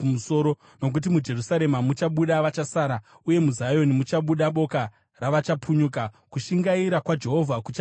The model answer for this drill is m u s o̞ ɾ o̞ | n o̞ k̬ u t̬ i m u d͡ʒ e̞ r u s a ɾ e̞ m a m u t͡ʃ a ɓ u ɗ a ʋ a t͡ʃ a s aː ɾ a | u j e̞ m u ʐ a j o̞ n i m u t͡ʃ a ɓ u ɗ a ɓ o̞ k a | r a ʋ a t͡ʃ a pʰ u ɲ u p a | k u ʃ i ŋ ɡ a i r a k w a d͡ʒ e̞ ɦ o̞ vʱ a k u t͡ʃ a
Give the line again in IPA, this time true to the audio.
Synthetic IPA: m u s o̞ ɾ o̞ | n o̞ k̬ u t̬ i m u d͡ʒ e̞ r u s a ɾ e̞ m a m u t͡ʃ a ɓ u ɗ a ʋ a t͡ʃ a s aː ɾ a | u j e̞ m u z a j o̞ n i m u t͡ʃ a ɓ u ɗ a ɓ o̞ k a | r a ʋ a t͡ʃ a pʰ u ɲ u k a | k u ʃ i ŋ ɡ a i ɾ a k w a d͡ʒ e̞ ɦ o̞ vʱ a k u t͡ʃ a